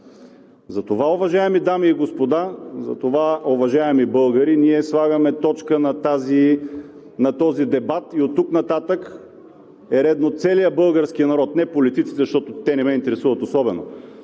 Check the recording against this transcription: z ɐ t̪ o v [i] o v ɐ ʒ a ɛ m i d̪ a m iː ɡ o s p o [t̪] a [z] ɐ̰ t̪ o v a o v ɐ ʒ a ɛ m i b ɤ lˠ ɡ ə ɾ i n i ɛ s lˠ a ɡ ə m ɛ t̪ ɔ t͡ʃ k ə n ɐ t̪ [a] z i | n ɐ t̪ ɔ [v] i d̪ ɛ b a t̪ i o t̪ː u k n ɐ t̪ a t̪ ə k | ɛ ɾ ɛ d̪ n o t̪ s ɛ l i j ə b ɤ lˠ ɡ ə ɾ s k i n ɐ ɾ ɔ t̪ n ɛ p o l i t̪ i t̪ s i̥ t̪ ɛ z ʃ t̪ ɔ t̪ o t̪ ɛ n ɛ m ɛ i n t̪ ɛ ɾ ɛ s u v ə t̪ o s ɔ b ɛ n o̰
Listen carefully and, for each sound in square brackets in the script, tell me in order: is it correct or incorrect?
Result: incorrect, incorrect, correct, correct, incorrect

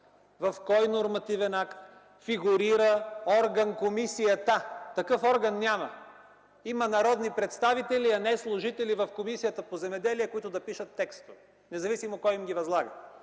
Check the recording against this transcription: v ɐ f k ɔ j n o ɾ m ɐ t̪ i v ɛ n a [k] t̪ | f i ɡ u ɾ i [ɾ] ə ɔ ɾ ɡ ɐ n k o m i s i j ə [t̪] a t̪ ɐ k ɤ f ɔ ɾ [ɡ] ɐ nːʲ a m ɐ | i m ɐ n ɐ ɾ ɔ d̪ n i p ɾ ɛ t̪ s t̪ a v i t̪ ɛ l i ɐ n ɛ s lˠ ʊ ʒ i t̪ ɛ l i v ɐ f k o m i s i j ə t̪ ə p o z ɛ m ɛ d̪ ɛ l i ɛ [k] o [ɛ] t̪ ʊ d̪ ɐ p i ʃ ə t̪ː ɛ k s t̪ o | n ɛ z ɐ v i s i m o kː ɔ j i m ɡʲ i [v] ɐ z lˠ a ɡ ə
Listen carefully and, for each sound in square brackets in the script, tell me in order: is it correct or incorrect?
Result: correct, correct, correct, correct, correct, incorrect, correct

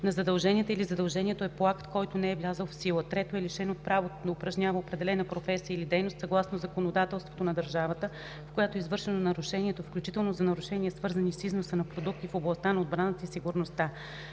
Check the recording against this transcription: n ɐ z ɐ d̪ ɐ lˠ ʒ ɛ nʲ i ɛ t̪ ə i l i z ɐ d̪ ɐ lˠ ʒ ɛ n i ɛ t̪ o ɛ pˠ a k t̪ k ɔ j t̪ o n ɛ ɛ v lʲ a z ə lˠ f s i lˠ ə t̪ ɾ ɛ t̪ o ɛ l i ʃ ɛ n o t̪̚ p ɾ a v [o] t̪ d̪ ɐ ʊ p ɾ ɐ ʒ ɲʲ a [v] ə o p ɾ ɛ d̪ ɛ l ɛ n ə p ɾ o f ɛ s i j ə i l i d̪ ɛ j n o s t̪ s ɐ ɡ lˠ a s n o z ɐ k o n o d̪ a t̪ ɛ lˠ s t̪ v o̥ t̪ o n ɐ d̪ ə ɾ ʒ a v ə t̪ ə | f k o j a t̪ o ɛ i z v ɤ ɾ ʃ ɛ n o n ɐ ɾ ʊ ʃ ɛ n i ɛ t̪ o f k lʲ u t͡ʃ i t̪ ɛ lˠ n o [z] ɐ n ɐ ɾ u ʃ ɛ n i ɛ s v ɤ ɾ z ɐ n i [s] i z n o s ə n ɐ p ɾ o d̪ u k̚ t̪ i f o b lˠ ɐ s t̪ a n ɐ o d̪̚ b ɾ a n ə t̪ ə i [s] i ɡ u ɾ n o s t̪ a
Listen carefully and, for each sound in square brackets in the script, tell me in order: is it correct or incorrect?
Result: correct, correct, correct, correct, correct

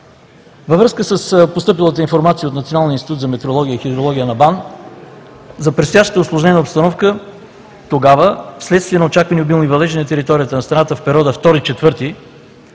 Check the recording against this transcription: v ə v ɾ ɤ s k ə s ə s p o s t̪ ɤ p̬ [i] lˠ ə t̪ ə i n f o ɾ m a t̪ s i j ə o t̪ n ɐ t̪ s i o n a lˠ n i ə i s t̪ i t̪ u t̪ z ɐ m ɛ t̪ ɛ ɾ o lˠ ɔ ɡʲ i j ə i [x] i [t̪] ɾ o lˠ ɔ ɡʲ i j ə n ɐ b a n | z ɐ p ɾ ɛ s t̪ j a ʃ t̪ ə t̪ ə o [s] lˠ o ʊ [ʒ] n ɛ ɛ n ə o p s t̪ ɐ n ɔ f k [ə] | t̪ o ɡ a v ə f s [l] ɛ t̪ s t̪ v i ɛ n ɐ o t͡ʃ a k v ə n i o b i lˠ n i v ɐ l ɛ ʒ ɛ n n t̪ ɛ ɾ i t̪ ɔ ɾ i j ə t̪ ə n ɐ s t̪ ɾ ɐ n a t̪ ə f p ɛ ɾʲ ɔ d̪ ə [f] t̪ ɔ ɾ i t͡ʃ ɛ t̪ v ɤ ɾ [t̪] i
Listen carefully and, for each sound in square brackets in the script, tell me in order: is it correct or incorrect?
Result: correct, correct, incorrect, correct, correct, correct, correct, correct, correct

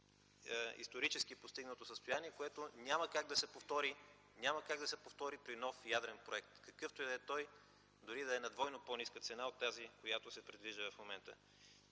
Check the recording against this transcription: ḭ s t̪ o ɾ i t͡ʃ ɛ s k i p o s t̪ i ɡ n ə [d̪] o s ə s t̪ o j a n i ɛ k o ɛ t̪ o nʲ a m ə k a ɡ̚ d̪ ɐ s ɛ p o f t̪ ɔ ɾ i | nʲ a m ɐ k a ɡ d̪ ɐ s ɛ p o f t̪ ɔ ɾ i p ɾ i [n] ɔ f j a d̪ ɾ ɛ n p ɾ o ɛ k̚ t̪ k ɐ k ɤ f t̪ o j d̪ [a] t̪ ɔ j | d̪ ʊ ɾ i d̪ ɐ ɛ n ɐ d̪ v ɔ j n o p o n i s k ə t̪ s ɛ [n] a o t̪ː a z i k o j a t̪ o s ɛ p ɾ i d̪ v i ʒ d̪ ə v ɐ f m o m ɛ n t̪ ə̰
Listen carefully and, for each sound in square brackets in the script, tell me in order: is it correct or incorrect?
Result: incorrect, correct, incorrect, correct

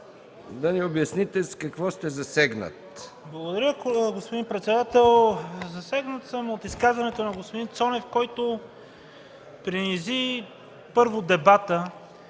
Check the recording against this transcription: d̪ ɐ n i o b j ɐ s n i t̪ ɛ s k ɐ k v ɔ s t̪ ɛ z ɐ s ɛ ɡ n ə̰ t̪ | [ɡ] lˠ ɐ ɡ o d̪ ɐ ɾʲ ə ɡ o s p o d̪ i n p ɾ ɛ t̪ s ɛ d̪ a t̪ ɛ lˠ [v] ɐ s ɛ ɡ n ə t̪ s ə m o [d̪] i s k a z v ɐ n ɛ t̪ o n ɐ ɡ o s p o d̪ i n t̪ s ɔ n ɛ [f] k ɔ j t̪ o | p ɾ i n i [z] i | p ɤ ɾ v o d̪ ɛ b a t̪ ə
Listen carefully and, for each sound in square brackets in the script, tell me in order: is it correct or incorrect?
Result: incorrect, incorrect, incorrect, correct, correct

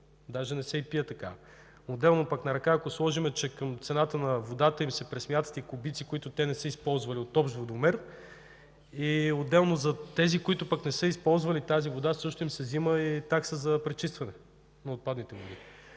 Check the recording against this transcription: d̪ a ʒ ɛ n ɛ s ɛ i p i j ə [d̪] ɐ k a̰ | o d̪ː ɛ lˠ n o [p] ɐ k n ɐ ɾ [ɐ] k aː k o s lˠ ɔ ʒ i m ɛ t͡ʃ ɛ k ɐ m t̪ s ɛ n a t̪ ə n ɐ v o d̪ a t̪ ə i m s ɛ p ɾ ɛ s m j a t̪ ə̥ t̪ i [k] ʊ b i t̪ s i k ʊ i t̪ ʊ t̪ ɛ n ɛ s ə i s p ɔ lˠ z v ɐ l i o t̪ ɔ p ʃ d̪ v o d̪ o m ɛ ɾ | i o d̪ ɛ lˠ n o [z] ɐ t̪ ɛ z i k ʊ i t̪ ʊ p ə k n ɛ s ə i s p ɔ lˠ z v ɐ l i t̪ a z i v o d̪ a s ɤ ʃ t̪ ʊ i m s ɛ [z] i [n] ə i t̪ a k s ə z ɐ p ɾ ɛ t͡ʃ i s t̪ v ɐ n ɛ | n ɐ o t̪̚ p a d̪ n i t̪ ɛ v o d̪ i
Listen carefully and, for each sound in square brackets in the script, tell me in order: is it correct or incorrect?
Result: incorrect, correct, correct, correct, correct, correct, incorrect

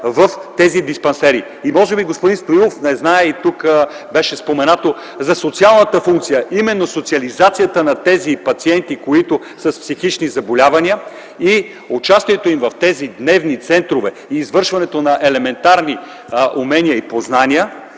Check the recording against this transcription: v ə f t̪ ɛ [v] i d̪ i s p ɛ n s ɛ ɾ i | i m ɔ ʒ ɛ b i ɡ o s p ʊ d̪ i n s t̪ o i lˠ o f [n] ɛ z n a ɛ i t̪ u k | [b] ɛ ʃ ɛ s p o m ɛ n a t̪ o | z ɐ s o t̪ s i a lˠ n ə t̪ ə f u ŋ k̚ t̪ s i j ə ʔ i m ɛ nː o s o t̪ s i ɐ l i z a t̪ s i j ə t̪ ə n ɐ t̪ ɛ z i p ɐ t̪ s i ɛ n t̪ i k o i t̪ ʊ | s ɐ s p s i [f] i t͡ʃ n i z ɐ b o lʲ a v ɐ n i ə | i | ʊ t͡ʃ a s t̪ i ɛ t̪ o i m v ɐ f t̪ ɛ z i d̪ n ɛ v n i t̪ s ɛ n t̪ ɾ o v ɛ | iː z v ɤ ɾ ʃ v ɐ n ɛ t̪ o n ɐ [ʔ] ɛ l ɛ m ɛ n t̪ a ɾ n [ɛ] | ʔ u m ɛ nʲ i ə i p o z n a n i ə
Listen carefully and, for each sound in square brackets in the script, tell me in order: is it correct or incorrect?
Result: incorrect, correct, correct, incorrect, correct, incorrect

